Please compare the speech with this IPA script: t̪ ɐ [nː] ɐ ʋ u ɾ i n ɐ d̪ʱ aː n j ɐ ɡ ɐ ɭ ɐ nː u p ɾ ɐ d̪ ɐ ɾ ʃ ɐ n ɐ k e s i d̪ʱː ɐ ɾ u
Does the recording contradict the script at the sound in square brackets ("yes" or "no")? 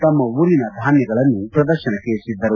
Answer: yes